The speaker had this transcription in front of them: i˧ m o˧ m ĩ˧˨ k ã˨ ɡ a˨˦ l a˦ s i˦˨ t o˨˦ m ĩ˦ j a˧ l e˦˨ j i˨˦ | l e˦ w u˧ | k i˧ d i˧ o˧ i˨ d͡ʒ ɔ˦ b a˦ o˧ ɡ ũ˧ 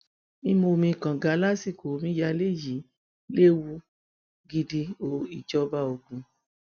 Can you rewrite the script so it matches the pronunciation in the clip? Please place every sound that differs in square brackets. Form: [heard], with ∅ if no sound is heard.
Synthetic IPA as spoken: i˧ m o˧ m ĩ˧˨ k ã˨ ɡ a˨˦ l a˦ s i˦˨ [k] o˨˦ m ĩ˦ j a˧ l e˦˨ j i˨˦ | l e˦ w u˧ | [ɡ] i˧ d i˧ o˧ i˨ d͡ʒ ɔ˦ b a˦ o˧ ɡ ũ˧